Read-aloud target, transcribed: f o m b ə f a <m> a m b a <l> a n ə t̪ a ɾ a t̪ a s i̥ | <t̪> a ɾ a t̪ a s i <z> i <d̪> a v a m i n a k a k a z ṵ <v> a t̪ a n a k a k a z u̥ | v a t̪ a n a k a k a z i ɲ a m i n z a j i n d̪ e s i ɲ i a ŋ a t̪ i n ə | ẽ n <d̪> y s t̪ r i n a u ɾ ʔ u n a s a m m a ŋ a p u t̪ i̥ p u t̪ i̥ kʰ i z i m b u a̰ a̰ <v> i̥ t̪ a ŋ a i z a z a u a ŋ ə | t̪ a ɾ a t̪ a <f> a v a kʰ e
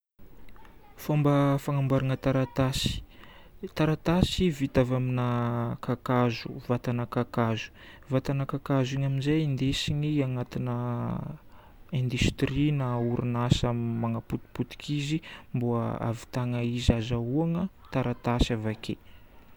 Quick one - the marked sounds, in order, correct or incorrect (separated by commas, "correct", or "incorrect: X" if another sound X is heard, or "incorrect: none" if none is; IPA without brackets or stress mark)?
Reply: incorrect: ŋ, incorrect: ɾ, correct, incorrect: v, incorrect: t̪, correct, correct, correct, incorrect: s